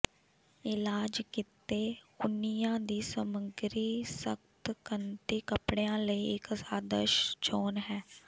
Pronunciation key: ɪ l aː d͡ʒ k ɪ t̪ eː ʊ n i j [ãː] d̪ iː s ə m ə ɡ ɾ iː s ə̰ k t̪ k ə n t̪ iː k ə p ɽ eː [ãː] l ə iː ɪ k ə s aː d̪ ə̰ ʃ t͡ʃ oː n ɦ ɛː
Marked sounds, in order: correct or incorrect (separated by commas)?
correct, correct